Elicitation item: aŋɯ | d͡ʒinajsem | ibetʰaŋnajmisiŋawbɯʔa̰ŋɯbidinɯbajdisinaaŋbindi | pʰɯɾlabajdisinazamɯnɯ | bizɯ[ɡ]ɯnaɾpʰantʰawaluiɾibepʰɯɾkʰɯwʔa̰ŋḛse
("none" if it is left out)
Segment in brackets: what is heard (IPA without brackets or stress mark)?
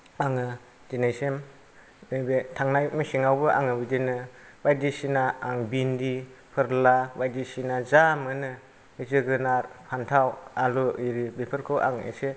ɡ